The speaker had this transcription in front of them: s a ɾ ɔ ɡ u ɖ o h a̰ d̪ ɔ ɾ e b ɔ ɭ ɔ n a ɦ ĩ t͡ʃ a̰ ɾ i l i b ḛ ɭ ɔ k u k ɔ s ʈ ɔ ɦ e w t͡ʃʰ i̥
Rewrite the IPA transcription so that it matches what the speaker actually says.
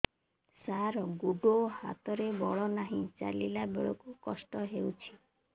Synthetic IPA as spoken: s a ɾ ɔ ɡ u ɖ o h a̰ t̪ ɔ ɾ e b ɔ ɭ ɔ n a ɦ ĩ t͡ʃ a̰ l i l a b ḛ ɭ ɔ k u k ɔ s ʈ ɔ ɦ e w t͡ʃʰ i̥